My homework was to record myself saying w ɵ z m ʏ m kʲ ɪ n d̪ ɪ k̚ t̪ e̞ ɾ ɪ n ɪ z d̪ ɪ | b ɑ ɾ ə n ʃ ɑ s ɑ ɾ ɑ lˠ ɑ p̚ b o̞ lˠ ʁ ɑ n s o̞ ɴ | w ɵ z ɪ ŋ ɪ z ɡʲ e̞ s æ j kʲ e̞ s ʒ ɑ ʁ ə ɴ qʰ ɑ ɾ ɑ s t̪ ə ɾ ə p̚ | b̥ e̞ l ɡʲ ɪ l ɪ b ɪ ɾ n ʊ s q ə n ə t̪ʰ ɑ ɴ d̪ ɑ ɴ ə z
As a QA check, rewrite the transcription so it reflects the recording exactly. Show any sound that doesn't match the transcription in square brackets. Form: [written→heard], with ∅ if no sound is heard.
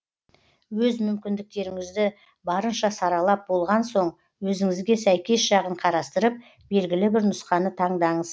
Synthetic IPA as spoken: w ɵ z m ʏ m kʲ ɪ n d̪ ɪ k̚ t̪ e̞ ɾ ɪ [n→ŋ] ɪ z d̪ ɪ | b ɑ ɾ ə n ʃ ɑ s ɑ ɾ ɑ lˠ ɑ p̚ b o̞ lˠ ʁ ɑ n s o̞ ɴ | w ɵ z ɪ ŋ ɪ z ɡʲ e̞ s æ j kʲ e̞ s ʒ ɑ ʁ ə ɴ qʰ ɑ ɾ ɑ s t̪ ə ɾ ə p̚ | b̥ e̞ l ɡʲ ɪ l ɪ b ɪ ɾ n ʊ s q [ə→ɑ] n ə t̪ʰ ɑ ɴ d̪ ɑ ɴ ə z